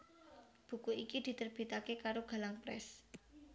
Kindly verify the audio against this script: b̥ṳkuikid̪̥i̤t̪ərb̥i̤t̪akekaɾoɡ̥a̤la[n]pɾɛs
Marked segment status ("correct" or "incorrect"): incorrect